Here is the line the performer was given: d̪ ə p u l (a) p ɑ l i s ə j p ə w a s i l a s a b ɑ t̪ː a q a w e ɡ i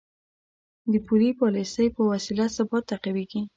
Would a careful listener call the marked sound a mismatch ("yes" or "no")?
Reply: yes